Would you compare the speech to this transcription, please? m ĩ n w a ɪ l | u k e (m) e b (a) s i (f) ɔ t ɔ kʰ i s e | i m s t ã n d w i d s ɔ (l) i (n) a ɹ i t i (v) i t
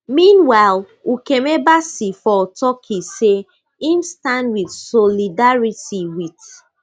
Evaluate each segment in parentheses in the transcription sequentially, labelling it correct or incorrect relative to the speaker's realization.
correct, correct, correct, correct, incorrect, incorrect

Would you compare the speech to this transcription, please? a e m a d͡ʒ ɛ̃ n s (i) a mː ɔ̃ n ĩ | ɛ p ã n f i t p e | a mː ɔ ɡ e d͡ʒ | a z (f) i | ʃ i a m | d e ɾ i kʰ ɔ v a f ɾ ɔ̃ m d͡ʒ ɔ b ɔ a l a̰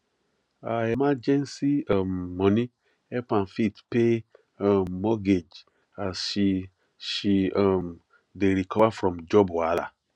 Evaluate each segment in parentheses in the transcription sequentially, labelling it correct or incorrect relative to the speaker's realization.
correct, incorrect

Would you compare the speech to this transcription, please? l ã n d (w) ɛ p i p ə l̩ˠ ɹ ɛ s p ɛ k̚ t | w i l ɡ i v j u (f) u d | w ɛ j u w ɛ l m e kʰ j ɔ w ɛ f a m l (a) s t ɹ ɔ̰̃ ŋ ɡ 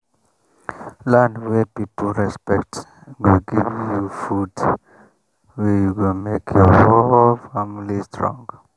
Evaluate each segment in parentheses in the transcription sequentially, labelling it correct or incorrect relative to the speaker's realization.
correct, correct, incorrect

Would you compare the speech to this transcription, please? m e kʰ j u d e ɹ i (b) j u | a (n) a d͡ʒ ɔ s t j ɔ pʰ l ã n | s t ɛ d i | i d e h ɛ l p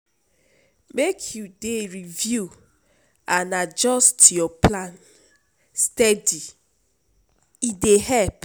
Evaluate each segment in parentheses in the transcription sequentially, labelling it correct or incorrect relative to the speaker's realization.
incorrect, correct

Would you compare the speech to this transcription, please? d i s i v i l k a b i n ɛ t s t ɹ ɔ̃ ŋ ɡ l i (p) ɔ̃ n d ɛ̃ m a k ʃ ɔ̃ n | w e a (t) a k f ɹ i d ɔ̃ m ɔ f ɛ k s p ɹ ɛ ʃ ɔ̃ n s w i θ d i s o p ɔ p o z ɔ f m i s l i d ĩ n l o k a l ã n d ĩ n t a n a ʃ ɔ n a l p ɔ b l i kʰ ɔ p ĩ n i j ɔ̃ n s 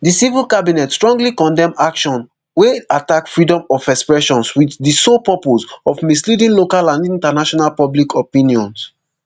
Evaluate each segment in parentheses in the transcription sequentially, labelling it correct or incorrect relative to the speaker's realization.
incorrect, correct

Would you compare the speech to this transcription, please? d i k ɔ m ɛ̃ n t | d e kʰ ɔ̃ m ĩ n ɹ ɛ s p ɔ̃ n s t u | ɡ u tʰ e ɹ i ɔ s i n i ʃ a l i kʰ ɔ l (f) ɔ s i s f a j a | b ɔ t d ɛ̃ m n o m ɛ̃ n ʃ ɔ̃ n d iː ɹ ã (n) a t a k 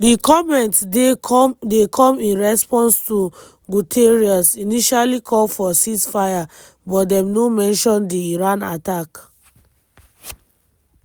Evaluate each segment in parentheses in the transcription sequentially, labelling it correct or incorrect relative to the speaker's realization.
correct, correct

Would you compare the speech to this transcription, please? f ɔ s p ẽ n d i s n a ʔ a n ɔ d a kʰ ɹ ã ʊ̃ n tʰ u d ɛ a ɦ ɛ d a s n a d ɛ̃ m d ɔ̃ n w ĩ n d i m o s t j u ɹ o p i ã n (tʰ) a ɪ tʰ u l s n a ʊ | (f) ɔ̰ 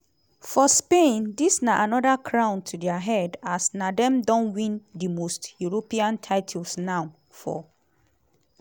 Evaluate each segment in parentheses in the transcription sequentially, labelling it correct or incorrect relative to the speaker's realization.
correct, correct

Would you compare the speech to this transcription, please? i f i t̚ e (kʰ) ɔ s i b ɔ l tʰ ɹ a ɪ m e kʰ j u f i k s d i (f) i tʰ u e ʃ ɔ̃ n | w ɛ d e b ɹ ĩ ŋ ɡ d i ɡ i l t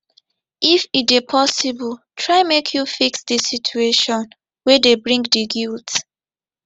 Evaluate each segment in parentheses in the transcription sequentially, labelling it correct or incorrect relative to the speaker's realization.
incorrect, incorrect

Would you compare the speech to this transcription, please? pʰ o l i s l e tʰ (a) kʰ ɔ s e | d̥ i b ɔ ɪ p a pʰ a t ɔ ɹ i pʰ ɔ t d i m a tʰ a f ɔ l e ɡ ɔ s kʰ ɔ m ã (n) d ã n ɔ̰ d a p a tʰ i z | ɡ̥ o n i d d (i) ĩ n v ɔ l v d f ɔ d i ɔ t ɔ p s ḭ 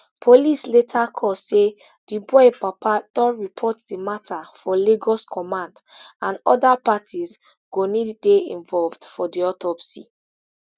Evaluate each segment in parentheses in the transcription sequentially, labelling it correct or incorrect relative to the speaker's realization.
correct, correct, incorrect

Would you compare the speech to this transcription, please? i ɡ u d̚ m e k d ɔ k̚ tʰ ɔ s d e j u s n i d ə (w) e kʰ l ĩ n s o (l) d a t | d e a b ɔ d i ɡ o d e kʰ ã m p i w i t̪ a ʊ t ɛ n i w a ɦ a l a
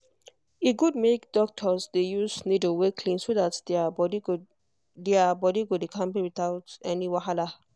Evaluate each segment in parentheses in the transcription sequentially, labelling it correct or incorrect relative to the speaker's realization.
correct, incorrect

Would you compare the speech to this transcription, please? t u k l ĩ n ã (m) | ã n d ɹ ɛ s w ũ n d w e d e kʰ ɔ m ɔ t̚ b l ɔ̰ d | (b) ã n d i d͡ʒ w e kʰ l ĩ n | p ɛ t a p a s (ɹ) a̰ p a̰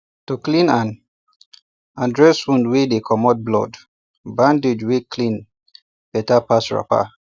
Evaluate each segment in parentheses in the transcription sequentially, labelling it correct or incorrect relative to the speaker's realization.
incorrect, correct, correct

